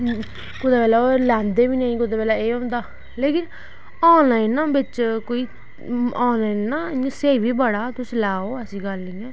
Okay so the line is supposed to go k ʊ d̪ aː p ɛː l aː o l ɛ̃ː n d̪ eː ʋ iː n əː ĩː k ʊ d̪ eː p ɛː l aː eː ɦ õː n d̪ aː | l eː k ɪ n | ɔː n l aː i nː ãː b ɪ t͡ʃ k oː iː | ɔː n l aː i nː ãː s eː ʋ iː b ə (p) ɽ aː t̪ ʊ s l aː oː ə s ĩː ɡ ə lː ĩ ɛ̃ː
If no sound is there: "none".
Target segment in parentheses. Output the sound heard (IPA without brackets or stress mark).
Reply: none